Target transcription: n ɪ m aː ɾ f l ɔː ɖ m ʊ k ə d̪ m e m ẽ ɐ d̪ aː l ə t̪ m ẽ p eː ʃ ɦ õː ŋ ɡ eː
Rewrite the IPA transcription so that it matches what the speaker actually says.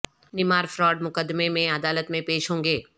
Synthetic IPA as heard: n ɪ m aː ɾ f ɾ ɔː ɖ m ʊ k ə d̪ m e m ẽ ɐ d̪ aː l ə t̪ m ẽ p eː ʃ ɦ õː ŋ ɡ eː